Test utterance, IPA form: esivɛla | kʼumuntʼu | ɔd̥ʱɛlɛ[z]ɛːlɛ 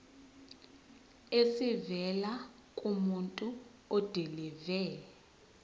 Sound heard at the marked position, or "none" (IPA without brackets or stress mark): v